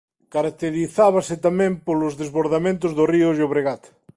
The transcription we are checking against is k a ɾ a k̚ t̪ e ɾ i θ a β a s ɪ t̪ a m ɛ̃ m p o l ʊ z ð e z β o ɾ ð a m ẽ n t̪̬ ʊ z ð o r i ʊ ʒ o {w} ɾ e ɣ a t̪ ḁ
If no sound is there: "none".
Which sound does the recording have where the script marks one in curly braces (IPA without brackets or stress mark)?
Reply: β